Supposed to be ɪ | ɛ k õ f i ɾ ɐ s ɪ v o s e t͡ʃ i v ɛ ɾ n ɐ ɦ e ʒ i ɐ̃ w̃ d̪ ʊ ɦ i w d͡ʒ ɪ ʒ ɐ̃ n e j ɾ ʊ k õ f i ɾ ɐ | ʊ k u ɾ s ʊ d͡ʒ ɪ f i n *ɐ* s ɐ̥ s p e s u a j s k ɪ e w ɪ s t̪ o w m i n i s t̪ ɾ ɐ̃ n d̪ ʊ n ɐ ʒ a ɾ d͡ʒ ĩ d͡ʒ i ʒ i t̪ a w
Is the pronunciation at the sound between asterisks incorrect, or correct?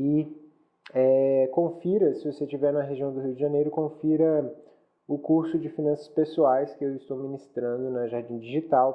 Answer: incorrect